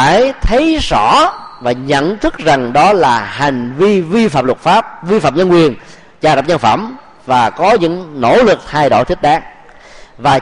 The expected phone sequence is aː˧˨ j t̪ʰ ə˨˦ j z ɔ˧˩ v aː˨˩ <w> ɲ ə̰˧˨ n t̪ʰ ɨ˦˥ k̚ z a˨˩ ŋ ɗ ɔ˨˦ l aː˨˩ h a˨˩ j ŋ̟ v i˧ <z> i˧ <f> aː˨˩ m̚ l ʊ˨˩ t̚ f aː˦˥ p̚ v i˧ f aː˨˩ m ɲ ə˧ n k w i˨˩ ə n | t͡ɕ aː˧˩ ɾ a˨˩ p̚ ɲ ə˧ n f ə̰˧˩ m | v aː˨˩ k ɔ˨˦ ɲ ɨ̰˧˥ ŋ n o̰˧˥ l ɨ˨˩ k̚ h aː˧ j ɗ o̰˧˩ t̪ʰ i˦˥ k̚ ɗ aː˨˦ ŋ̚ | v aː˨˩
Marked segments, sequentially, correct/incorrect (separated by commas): incorrect, incorrect, correct